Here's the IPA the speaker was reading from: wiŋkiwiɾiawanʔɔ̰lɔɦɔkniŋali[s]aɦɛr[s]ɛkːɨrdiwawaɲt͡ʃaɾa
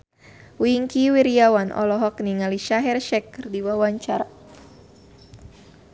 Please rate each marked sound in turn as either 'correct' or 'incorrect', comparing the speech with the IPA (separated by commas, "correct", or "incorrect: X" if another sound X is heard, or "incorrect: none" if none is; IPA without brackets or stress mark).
incorrect: ʃ, incorrect: ʃ